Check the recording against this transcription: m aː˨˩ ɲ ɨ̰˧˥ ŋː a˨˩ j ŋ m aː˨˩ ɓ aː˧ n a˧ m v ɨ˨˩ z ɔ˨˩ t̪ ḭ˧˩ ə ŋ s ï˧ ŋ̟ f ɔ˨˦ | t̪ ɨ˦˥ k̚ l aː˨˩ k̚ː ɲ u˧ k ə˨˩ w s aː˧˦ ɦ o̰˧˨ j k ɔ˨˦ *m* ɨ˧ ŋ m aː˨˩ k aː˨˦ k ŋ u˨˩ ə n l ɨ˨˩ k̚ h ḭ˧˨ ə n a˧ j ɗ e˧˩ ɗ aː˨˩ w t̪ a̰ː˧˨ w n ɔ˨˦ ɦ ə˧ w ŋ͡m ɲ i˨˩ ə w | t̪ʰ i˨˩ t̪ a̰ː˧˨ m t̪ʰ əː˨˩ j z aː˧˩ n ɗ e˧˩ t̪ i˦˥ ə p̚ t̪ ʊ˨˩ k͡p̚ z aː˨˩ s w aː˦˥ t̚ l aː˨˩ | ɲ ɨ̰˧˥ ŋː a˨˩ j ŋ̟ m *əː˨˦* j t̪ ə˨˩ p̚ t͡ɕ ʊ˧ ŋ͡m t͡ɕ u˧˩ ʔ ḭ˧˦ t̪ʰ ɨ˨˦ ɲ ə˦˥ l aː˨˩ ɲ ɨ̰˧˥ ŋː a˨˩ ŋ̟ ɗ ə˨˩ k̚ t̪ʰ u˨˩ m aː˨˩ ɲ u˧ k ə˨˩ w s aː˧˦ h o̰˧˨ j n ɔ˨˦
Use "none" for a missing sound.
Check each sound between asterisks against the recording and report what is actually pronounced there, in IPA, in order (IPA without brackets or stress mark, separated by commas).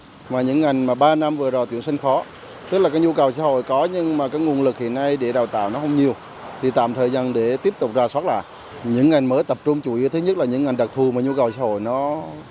ɲ, əː˨˦